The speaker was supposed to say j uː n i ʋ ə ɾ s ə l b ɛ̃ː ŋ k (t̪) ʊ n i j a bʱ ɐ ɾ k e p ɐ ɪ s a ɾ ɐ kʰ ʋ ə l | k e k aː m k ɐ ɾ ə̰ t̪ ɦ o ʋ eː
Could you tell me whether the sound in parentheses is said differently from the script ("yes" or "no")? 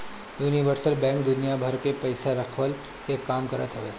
yes